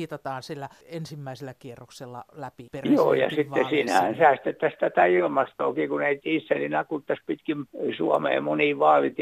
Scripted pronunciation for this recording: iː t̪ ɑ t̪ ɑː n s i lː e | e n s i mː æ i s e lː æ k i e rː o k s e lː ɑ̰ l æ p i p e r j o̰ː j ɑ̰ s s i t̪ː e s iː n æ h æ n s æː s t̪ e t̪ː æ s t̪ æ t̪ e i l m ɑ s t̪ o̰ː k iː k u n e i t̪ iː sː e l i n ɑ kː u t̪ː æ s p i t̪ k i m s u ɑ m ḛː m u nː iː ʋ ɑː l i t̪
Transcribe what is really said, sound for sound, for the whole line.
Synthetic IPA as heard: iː t̪ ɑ t̪ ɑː n s i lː æ | e n s i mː æ i s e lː æ k i e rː o k s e lː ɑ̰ l æ p i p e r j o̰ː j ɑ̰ s s i t̪ː e s iː n æ h æ n s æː s t̪ e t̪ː æ s t̪ æ t̪ æ i l m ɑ s t̪ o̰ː k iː k u n e i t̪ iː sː e l i n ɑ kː u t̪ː æ s p i t̪ k i m s u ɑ m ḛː m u n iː ʋ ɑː l i t̪